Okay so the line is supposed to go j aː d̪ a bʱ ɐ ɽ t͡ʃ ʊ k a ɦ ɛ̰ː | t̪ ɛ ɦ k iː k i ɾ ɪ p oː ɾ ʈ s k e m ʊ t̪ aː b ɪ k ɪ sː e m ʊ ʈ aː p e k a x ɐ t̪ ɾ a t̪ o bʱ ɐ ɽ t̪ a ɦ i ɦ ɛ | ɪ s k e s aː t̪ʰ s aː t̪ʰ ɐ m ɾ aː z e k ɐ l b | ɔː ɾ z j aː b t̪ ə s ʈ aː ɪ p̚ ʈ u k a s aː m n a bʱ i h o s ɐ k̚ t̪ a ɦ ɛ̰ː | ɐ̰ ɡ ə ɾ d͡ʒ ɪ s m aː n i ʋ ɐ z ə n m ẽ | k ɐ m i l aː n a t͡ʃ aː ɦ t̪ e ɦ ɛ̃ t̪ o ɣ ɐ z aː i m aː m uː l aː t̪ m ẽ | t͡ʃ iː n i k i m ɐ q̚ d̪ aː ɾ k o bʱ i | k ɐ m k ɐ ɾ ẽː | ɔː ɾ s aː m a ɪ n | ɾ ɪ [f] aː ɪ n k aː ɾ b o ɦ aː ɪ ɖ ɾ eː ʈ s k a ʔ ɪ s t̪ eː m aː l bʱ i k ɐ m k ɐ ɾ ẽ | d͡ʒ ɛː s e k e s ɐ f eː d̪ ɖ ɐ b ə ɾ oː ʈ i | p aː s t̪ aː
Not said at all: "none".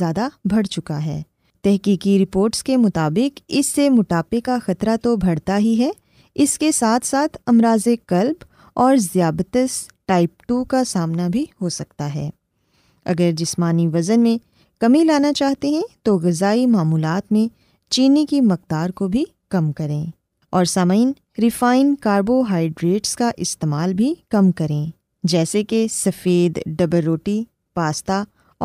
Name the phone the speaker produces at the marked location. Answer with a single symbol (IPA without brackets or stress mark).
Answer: f